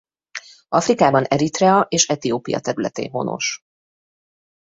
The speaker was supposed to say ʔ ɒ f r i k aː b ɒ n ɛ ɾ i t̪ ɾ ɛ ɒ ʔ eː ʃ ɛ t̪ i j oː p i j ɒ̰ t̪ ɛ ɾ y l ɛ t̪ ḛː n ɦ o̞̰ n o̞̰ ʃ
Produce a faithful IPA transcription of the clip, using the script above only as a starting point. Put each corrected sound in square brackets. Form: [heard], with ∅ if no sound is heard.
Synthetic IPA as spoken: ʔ ɒ f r i k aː b ɒ n ɛ ɾ i t̪ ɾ ɛ ɒ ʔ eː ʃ ɛ t̪ i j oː p i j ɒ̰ t̪ ɛ ɾ y l ɛ t̪ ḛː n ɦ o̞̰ n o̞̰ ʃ